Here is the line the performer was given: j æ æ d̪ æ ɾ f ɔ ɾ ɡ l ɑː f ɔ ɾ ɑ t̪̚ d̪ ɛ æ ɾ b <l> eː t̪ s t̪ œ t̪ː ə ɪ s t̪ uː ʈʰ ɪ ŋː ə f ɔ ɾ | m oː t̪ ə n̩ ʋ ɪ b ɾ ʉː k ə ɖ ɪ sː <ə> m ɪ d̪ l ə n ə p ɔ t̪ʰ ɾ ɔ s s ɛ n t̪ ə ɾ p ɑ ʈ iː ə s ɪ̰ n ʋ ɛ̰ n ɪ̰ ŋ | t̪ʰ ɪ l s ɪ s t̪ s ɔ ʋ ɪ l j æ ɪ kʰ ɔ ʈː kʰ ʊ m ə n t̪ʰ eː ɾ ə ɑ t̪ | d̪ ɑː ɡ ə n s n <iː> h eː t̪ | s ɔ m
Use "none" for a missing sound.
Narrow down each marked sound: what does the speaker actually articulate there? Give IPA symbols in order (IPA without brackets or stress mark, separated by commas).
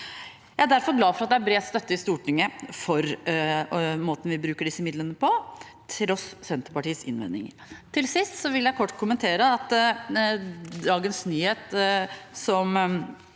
ɾ, ə, yː